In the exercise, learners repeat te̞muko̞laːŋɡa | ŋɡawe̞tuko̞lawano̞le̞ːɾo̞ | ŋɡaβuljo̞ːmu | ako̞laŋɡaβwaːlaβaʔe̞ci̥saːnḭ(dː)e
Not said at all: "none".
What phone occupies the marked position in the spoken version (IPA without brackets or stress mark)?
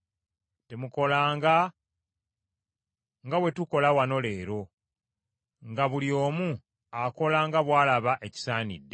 dː